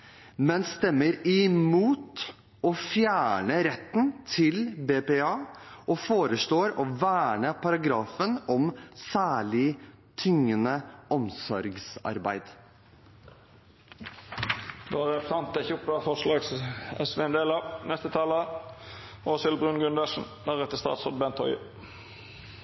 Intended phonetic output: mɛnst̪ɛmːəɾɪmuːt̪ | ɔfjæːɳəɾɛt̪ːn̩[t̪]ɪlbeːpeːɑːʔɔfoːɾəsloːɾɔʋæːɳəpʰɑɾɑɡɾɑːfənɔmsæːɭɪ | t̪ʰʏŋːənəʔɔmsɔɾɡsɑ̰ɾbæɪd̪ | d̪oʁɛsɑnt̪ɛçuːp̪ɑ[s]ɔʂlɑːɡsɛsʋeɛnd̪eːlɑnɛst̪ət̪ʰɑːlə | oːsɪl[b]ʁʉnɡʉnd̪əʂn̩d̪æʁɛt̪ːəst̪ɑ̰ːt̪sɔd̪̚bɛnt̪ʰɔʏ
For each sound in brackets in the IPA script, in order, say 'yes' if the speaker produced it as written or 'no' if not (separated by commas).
no, no, yes